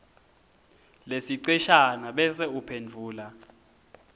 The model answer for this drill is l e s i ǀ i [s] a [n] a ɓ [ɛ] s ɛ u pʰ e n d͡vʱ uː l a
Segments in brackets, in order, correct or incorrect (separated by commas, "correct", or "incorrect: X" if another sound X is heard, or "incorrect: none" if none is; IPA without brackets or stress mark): incorrect: ʃ, correct, correct